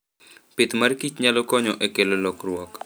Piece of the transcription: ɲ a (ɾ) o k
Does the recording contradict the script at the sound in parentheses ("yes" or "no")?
yes